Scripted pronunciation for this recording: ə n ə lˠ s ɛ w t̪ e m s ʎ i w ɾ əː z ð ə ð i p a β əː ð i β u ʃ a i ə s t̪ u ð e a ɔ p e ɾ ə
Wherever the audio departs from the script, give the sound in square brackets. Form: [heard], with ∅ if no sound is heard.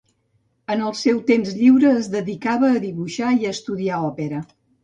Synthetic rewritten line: ə n ə lˠ s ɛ w t̪ e m [z] ʎ i w ɾ əː z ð ə ð i [k] a β əː ð i β u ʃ a i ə s t̪ u ð [i] a ɔ p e ɾ ə